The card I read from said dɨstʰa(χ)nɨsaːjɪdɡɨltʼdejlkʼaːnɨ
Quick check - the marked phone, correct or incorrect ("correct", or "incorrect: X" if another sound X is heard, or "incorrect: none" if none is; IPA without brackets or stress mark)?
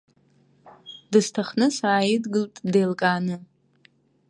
correct